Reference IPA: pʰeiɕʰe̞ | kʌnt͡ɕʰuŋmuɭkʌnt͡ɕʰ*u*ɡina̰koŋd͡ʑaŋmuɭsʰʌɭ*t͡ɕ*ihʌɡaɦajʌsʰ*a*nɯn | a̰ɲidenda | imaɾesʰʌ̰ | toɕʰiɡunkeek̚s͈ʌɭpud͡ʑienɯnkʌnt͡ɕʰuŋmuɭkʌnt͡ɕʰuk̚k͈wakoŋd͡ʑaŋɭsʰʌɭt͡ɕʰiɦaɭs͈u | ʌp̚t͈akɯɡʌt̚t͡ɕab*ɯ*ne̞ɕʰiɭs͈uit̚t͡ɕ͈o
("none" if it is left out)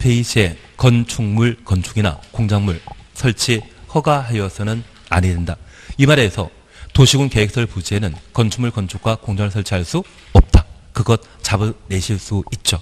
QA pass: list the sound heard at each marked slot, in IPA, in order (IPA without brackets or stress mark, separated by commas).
u, t͡ɕʰ, ʌ, ɯ